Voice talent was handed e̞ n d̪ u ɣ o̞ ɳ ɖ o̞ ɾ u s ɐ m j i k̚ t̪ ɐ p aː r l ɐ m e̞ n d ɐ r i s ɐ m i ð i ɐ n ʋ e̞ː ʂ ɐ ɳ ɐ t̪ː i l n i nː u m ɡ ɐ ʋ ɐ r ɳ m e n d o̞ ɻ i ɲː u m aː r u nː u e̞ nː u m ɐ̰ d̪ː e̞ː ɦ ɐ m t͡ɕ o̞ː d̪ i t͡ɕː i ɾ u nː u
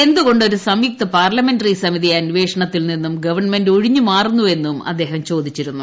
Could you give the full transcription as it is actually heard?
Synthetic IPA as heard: e̞ n d̪ u ɣ o̞ ɳ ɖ o̞ ɾ u s ɐ m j i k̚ t̪ ɐ p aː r l ɐ m e̞ n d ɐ r i s ɐ m i ð i ɐ n ʋ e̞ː ʂ ɐ ɳ ɐ t̪ː i l n i nː u m ɡ ɐ ʋ ɐ r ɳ m e n d o̞ ɻ i ɲː u m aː r u nː u e̞ nː u m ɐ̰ d̪ː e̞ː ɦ ɐ m t͡ɕ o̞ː d̪ i t͡ɕː i ɾ u nː u